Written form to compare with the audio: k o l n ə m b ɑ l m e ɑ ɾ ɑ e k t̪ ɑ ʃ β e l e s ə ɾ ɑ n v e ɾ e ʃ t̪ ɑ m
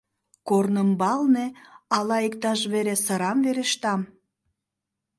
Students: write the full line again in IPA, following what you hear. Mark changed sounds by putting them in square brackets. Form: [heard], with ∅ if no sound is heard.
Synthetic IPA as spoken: k o [r] n ə m b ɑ l [n] e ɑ [l] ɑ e k t̪ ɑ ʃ β e [ɾ] e s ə ɾ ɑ [m] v e ɾ e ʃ t̪ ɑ m